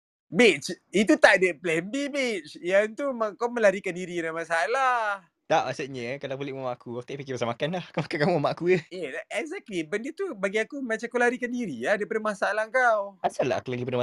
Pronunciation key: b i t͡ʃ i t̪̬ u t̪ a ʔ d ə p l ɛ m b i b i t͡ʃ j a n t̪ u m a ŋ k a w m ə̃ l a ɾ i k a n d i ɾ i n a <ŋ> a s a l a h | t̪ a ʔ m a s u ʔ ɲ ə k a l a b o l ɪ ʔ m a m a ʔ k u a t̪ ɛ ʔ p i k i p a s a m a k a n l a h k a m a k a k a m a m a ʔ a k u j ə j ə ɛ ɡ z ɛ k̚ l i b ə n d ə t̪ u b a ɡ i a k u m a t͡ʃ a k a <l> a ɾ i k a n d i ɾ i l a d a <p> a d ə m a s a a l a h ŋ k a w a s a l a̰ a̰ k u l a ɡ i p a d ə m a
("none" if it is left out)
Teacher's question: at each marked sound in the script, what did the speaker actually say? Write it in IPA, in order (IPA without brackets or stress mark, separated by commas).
m, l, p